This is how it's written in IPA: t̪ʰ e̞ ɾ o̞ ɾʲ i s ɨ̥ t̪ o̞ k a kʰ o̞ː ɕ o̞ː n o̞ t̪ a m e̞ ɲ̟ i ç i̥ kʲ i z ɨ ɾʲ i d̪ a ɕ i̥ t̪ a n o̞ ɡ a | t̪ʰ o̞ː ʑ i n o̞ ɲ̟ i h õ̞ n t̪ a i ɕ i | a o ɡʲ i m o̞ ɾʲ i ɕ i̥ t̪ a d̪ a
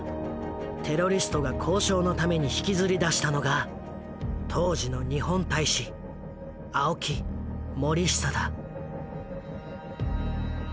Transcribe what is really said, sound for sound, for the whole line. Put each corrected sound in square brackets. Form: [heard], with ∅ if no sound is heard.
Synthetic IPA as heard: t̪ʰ e̞ ɾ o̞ ɾʲ i s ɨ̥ t̪ o̞ [ɡ] a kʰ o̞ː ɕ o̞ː n o̞ t̪ a m e̞ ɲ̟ i ç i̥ kʲ i z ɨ ɾʲ i d̪ a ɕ i̥ t̪ a n o̞ ɡ a | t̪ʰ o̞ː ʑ i n o̞ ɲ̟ i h õ̞ n t̪ a i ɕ i | a o [kʲ] i m o̞ ɾʲ i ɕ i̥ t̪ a d̪ a

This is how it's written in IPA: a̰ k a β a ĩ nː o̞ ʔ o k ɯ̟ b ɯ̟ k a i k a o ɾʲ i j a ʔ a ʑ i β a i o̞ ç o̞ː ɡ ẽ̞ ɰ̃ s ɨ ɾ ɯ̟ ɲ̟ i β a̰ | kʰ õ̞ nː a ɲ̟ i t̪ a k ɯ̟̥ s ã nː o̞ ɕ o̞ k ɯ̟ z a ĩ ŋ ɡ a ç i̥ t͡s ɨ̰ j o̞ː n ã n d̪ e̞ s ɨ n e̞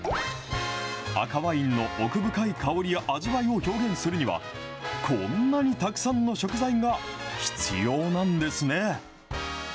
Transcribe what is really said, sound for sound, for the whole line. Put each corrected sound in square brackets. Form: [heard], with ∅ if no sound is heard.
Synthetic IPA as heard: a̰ k a β a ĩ nː o̞ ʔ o k ɯ̟ b ɯ̟ k a i k a o ɾʲ i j a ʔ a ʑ i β a i o̞ ç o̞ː ɡ ẽ̞ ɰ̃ s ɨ ɾ ɯ̟ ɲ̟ i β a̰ | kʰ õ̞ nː a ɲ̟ i t̪ a k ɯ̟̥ s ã nː o̞ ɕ o̞ k ɯ̟ z a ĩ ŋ ɡ a ç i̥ t͡s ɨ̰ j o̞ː n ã n d̪ e̞ s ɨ n e̞

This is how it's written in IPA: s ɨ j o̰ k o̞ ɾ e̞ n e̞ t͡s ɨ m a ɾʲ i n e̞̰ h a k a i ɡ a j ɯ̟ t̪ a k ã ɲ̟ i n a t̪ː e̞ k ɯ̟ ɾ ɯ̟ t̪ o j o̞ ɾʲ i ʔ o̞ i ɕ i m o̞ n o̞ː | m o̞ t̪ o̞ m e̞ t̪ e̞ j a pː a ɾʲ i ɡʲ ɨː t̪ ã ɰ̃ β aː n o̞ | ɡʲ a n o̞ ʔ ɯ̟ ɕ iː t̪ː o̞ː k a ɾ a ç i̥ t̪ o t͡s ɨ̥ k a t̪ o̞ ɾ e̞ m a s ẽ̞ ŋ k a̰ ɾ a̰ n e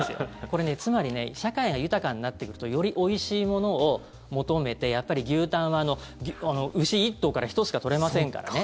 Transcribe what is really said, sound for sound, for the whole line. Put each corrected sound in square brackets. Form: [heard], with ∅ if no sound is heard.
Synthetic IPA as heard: s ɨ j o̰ k o̞ ɾ e̞ n e̞ t͡s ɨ m a ɾʲ i n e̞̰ [ɕ] a k a i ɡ a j ɯ̟ t̪ a k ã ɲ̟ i n a t̪ː e̞ k ɯ̟ ɾ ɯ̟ t̪ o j o̞ ɾʲ i ʔ o̞ i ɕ [iː] m o̞ n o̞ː | m o̞ t̪ o̞ m e̞ t̪ e̞ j a pː a ɾʲ i ɡʲ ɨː t̪ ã ɰ̃ β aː n o̞ | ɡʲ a n o̞ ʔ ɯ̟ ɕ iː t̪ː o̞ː k a ɾ a ç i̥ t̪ o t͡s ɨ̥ k a t̪ o̞ ɾ e̞ m a s ẽ̞ ŋ k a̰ ɾ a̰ n e

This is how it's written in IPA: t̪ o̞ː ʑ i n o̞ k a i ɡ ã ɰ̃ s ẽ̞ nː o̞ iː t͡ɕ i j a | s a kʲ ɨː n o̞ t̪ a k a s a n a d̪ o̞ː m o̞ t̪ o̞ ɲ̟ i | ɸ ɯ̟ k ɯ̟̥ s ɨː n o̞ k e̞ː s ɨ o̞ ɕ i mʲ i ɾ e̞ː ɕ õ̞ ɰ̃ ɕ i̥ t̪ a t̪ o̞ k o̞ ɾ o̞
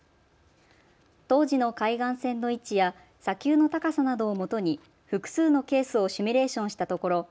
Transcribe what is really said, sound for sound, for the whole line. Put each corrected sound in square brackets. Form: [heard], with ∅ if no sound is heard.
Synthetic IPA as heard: t̪ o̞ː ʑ i n o̞ k a i ɡ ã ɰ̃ s ẽ̞ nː o̞ [i] t͡ɕ i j a | s a kʲ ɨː n o̞ t̪ a k a s a n a d̪ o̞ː m o̞ t̪ o̞ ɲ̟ i | ɸ ɯ̟ k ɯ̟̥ s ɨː n o̞ k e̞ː s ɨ o̞ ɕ i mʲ i ɾ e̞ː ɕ õ̞ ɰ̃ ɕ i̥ t̪ a t̪ o̞ k o̞ ɾ o̞

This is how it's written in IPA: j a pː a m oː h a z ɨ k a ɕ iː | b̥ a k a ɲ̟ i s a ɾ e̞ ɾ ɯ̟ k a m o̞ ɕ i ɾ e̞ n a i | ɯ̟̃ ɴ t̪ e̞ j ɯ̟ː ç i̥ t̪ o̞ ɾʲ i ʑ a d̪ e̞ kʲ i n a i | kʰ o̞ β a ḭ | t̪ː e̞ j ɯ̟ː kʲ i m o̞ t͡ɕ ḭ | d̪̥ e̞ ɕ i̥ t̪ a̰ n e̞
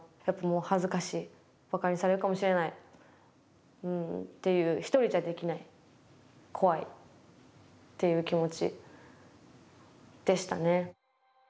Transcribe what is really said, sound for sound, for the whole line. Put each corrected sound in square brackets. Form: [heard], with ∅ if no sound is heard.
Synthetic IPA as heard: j a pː a m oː h a z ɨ k a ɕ iː | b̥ a k a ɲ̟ i s a ɾ e̞ ɾ ɯ̟ k a m o̞ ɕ i ɾ e̞ n a i | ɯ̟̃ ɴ t̪ e̞ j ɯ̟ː ç i̥ t̪ o̞ ɾʲ i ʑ a d̪ e̞ kʲ i n a i | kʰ o̞ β a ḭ | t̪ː e̞ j ɯ̟ː kʲ i m o̞ t͡ɕ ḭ | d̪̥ e̞ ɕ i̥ t̪ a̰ n e̞

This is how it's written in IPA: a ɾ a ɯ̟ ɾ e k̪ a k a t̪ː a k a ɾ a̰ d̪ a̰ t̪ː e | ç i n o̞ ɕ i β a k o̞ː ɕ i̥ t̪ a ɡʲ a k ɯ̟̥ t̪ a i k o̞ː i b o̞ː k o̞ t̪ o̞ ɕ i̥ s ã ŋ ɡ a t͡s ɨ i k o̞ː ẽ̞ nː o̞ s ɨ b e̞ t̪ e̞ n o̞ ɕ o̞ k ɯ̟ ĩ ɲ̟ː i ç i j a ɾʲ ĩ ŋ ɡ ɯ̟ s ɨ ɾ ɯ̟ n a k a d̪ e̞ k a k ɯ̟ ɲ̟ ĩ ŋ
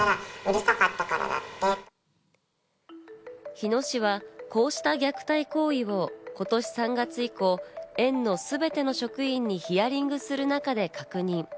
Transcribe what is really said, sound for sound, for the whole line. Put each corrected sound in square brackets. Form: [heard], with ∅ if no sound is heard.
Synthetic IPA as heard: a ɾ a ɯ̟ ɾ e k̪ a k a t̪ː a k a ɾ a̰ d̪ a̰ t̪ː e | ç i n o̞ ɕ i β a k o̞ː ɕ i̥ t̪ a ɡʲ a k ɯ̟̥ t̪ a i k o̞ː i [β] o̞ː k o̞ t̪ o̞ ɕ i̥ s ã ŋ ɡ a t͡s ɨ i k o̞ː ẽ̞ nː o̞ s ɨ b e̞ t̪ e̞ n o̞ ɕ o̞ k ɯ̟ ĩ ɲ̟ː i ç i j a ɾʲ ĩ ŋ ɡ ɯ̟ s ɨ ɾ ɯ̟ n a k a d̪ e̞ k a k ɯ̟ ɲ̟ ĩ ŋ

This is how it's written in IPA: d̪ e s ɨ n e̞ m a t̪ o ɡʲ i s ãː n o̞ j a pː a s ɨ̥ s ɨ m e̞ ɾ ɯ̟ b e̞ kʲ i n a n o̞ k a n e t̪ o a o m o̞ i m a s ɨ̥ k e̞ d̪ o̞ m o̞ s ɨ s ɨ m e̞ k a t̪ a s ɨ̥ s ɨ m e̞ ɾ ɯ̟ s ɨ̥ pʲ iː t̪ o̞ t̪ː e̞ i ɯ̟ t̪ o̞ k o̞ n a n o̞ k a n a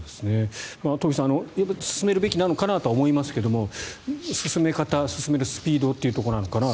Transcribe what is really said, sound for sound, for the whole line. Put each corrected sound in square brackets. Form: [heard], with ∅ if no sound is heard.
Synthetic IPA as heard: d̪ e s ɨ n e̞ m a t̪ o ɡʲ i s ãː n o̞ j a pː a s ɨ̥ s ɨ m e̞ ɾ ɯ̟ b e̞ kʲ i n a n o̞ k a n [a] t̪ o a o m o̞ i m a s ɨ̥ k e̞ d̪ o̞ m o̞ s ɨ s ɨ m e̞ k a t̪ a s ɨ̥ s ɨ m e̞ ɾ ɯ̟ s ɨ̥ pʲ iː [d̪] o̞ t̪ː e̞ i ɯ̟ t̪ o̞ k o̞ n a n o̞ k a n a

